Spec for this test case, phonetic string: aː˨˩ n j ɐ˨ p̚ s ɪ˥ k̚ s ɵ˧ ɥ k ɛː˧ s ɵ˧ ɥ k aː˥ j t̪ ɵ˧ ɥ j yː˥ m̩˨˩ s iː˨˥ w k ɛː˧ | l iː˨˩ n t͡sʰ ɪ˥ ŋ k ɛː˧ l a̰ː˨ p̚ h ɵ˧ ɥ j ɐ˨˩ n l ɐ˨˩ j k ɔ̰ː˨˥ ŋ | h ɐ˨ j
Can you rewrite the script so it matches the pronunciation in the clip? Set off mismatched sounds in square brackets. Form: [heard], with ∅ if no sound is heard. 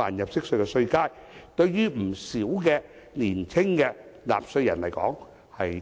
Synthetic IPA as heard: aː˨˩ n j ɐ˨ p̚ s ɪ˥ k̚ s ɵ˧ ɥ k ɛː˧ s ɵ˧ ɥ k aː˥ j t̪ ɵ˧ ɥ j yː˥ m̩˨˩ s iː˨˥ w k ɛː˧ | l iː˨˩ n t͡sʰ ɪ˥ ŋ k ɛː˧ l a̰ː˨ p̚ [s] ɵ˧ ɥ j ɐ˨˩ n l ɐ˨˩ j k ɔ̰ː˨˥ ŋ | h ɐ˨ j